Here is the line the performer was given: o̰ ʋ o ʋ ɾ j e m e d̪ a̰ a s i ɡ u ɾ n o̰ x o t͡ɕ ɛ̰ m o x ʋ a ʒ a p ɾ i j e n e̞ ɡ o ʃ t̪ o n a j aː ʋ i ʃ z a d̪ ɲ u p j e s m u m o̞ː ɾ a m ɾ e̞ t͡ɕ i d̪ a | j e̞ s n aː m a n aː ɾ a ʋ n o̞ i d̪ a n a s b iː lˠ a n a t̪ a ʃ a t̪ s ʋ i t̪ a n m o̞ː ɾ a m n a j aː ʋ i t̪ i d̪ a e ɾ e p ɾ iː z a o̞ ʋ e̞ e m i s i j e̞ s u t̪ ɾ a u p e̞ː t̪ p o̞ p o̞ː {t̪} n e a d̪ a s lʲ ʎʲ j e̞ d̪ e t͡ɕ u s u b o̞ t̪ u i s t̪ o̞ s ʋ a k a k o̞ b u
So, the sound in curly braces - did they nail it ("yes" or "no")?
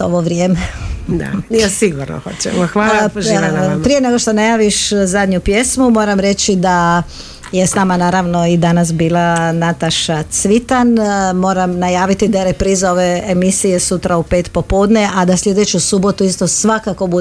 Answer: no